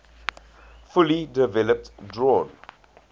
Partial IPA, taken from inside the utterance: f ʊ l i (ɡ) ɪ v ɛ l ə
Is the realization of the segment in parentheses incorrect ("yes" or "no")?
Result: yes